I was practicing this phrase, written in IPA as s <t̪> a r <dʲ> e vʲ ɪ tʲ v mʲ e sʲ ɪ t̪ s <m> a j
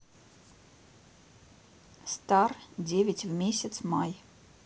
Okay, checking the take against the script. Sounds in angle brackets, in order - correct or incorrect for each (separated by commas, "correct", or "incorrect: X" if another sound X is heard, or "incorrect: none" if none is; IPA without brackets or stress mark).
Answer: correct, correct, correct